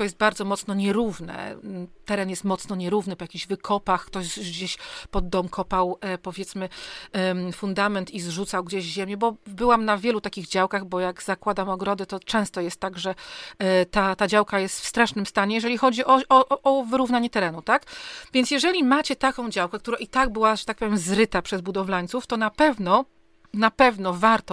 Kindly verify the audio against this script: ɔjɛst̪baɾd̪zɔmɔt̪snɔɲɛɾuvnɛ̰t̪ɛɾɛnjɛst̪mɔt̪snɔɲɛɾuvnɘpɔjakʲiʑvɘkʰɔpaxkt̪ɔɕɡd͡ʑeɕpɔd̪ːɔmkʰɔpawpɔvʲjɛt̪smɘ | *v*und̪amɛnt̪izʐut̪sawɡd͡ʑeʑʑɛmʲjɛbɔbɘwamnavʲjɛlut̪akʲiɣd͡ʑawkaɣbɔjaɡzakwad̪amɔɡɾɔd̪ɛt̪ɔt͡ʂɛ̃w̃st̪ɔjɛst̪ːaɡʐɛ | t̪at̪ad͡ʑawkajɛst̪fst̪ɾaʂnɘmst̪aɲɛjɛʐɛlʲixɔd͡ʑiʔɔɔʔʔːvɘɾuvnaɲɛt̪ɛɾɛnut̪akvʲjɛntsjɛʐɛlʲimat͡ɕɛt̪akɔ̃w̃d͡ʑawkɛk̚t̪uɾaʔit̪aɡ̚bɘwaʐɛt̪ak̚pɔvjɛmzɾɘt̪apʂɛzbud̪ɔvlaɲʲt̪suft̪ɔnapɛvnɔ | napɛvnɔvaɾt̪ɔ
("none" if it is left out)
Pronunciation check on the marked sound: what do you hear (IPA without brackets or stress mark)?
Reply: f